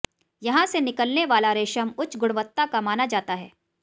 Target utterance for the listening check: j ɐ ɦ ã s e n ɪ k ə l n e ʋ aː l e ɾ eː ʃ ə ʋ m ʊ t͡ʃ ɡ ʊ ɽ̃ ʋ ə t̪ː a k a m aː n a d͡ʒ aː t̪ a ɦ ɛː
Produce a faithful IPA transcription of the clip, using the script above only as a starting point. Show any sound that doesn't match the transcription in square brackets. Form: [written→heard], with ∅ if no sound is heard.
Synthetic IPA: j ɐ ɦ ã s e n ɪ k ə l n e ʋ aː l [e→a] ɾ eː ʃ ə [ʋ→∅] m ʊ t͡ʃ ɡ ʊ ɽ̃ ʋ ə t̪ː a k a m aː n a d͡ʒ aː t̪ a ɦ ɛː